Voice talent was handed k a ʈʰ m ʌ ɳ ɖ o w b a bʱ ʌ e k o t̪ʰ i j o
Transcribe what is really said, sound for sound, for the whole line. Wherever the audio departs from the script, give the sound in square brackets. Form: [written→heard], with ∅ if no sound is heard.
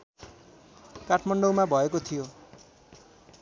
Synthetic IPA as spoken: k a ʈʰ m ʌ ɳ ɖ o w [b→m] a bʱ ʌ e k o t̪ʰ i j o